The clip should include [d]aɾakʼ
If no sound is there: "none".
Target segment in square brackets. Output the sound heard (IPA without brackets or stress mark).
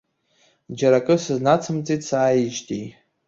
d͡ʒ